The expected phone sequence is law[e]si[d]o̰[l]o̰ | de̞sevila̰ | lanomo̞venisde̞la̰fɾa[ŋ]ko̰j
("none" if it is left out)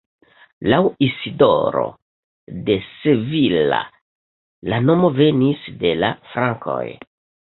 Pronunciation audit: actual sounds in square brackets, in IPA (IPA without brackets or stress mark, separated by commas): i, d, ɾ, ŋ